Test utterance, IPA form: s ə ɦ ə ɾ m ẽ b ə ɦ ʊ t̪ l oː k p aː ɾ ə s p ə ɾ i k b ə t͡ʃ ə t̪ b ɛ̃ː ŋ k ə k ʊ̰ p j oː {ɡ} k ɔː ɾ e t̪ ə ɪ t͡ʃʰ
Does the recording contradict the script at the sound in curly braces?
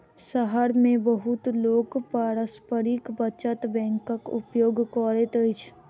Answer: no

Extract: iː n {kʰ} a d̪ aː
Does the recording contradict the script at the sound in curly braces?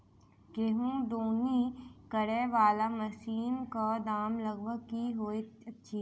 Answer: yes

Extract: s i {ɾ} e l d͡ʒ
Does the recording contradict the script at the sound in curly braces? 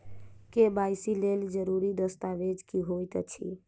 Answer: yes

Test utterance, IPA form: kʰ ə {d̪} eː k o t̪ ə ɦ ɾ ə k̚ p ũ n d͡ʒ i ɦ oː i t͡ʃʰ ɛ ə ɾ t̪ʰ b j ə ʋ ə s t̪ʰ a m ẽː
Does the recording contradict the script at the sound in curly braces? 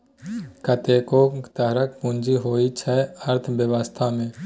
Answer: yes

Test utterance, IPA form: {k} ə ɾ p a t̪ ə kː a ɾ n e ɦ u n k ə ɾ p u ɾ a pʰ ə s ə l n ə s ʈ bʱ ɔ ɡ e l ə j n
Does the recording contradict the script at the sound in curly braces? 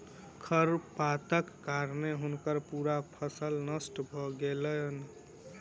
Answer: yes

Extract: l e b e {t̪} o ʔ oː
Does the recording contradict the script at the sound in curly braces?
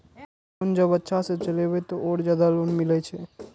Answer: no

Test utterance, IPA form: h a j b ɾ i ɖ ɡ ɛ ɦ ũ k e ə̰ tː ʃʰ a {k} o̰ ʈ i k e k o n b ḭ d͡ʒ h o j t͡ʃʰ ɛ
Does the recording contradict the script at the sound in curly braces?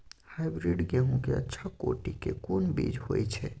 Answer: no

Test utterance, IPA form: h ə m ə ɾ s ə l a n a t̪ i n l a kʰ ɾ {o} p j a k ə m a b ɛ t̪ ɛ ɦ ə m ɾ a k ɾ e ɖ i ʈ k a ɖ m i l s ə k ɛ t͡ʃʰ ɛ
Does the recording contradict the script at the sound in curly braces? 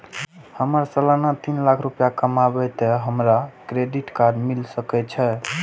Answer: yes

